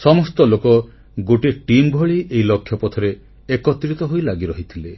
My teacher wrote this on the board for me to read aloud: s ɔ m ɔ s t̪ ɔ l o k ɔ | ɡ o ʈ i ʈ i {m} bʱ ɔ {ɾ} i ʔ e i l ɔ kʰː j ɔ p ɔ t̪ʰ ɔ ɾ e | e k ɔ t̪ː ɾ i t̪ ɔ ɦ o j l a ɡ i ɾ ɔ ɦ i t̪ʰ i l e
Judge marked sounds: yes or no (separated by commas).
yes, no